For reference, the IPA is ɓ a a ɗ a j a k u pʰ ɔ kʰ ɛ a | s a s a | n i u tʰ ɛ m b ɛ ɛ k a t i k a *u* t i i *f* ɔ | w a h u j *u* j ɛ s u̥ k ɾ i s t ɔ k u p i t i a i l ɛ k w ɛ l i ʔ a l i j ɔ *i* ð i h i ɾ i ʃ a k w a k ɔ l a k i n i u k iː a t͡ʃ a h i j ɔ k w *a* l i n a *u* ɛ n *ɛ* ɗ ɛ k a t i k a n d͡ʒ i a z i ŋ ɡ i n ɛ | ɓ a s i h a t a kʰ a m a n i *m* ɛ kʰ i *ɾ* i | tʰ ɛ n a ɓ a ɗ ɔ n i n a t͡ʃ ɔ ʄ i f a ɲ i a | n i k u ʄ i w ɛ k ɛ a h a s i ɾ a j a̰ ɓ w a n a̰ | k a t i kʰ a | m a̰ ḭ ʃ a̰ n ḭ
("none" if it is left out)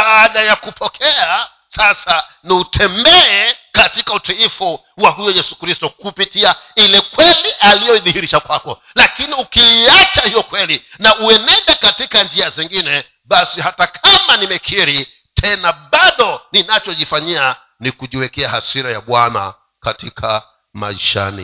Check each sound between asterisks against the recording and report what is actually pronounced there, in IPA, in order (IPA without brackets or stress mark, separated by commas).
u, f, ɔ, i, ɛ, u, ɛ, m, ɾ